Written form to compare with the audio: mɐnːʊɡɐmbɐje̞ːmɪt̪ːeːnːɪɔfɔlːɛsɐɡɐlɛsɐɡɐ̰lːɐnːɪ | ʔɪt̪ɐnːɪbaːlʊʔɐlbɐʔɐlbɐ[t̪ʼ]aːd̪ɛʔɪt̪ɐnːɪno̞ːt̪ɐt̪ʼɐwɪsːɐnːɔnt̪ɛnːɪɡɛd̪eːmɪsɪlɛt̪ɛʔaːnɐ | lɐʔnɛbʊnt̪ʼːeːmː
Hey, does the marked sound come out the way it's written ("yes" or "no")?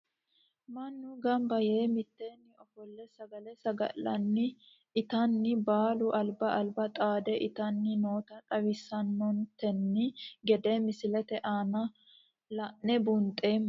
yes